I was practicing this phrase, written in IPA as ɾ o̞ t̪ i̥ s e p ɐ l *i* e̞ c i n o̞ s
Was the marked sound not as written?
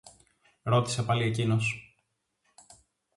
no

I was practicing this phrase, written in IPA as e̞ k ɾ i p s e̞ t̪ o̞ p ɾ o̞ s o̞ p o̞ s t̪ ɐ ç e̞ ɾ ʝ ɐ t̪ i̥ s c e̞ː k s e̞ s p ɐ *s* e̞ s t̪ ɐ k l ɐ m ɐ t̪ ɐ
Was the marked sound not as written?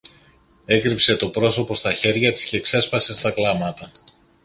no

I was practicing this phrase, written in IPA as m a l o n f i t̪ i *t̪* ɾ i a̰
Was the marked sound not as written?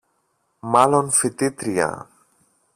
no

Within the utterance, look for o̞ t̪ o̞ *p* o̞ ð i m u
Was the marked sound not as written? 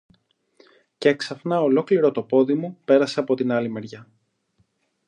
no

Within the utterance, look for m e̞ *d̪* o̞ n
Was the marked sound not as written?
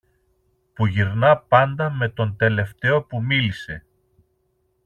yes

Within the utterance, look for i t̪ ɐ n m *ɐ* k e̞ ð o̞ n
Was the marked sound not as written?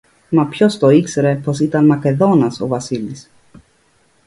no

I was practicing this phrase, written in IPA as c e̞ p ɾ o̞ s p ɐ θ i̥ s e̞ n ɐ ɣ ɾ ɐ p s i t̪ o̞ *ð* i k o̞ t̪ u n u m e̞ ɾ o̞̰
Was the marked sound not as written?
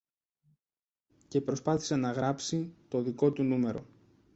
no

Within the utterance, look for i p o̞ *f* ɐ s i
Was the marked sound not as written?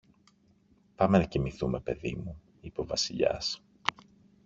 yes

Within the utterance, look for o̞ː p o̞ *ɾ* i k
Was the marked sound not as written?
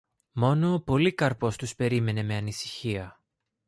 yes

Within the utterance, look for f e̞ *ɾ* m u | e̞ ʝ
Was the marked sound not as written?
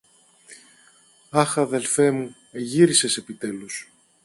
yes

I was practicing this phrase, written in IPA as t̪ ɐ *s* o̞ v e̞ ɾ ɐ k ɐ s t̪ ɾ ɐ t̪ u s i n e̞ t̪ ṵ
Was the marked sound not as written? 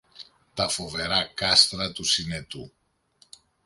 yes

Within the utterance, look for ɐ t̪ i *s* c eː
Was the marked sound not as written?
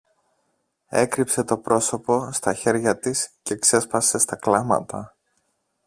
no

